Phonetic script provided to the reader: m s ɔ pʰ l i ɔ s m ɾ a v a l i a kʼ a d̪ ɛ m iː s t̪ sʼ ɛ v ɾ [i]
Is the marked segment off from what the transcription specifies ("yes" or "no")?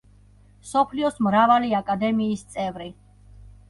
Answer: no